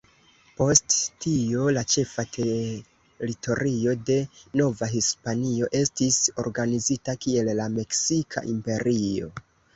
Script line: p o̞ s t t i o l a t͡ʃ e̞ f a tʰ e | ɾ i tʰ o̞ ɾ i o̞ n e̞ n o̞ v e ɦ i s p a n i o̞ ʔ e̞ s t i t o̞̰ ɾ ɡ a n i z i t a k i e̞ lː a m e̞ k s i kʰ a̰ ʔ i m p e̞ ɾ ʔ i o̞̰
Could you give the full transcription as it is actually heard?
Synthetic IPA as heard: p o̞ s t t i o l a t͡ʃ e̞ f a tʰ e | ɾ i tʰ o̞ ɾ i o̞ d e̞ n o̞ v a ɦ i s p a n i o̞ ʔ e̞ s t i s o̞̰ ɾ ɡ a n i z i t a k i e̞ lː a m e̞ k s i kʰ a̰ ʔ i m p e̞ ɾ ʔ i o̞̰